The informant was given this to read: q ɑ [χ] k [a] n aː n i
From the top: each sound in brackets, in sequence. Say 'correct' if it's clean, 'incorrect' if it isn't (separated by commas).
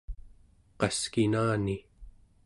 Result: incorrect, incorrect